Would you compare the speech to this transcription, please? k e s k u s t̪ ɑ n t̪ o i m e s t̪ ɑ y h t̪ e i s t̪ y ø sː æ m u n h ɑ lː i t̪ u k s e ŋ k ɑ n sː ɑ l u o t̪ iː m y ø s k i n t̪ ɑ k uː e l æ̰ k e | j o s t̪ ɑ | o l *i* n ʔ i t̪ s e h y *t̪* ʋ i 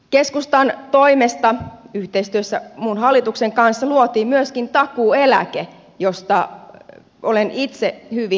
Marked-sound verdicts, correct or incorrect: incorrect: e, incorrect: none

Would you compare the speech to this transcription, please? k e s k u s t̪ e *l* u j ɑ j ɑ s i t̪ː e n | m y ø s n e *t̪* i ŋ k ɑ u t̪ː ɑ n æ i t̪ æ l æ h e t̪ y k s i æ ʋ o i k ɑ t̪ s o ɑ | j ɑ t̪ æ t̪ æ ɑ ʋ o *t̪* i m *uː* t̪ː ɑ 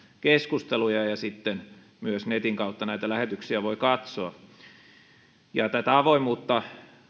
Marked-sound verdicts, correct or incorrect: correct, correct, incorrect: none, correct

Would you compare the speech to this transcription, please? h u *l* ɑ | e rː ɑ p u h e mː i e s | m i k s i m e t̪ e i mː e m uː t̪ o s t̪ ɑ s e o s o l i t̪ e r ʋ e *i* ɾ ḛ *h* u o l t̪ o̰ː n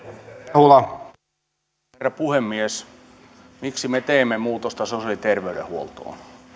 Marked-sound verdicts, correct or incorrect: correct, incorrect: y, correct

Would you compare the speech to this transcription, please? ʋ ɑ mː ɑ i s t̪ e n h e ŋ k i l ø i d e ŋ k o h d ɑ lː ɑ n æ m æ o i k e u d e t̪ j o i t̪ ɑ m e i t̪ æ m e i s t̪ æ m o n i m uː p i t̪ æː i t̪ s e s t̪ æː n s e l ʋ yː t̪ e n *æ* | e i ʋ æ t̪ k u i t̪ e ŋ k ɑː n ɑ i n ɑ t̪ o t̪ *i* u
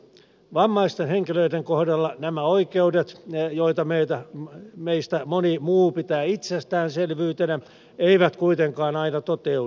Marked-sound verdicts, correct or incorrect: correct, incorrect: e

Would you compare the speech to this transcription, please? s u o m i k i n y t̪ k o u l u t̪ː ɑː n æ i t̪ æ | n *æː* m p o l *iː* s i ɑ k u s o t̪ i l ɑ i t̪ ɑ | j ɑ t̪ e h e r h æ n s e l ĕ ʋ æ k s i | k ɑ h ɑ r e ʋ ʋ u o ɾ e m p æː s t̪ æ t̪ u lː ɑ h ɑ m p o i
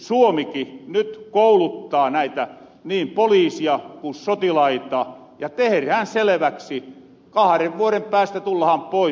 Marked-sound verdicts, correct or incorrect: incorrect: iː, correct

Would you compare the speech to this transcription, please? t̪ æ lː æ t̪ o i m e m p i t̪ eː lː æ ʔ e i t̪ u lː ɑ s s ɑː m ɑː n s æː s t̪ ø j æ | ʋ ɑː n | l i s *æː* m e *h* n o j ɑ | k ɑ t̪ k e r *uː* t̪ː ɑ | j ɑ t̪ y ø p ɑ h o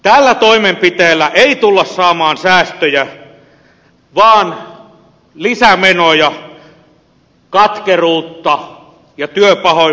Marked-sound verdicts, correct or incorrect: incorrect: æ, incorrect: none, correct

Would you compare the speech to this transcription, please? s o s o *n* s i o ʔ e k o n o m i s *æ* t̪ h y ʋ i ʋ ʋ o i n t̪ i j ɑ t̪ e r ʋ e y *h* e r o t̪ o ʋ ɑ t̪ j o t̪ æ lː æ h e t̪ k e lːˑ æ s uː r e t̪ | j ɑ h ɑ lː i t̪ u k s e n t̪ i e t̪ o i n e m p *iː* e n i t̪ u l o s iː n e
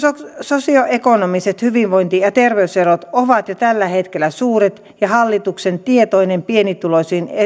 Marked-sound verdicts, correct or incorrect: incorrect: none, incorrect: e, incorrect: s, incorrect: i

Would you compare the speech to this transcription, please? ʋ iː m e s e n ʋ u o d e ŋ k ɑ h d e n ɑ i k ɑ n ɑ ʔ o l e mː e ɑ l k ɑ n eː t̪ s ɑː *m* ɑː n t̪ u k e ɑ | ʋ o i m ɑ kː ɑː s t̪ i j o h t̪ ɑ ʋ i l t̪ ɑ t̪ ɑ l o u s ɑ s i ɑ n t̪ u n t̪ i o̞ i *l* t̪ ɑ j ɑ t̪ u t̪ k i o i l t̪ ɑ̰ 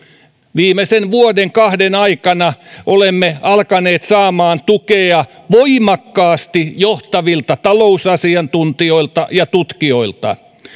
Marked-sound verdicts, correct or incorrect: correct, correct

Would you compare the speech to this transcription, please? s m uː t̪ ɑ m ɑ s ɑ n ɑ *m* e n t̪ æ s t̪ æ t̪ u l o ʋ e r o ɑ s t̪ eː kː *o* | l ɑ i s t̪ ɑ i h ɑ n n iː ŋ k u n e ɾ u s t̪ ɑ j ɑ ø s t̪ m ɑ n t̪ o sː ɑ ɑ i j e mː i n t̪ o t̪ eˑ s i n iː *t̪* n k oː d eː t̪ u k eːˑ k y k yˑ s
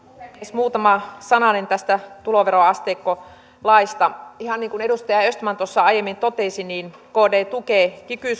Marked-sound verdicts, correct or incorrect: incorrect: n, correct, incorrect: none

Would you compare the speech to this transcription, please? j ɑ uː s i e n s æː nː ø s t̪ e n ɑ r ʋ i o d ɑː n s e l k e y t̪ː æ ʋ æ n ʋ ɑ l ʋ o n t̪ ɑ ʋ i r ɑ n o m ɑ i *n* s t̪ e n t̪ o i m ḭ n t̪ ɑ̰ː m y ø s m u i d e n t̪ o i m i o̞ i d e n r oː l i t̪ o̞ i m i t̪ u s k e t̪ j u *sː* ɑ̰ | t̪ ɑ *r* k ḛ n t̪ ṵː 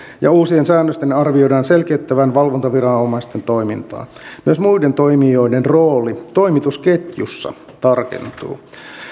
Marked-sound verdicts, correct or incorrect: incorrect: none, correct, correct

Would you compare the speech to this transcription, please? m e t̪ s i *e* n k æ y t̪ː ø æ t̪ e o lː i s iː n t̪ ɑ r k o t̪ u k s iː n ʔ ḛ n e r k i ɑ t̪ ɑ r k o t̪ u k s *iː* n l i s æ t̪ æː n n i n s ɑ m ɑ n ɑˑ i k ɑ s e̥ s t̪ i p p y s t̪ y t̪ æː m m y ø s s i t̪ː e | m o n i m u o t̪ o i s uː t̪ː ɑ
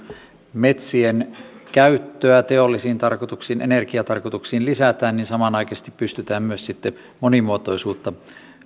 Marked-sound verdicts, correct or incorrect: correct, correct

